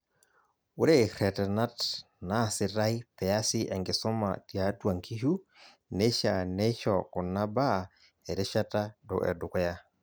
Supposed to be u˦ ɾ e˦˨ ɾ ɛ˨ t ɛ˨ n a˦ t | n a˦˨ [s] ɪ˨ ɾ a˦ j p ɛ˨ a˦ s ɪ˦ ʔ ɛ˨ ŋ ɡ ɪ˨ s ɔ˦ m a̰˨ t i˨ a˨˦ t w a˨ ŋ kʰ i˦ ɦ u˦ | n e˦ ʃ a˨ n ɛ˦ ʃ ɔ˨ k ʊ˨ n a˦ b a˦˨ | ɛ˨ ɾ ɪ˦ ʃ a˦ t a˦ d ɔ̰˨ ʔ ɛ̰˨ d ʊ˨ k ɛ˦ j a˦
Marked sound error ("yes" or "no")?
no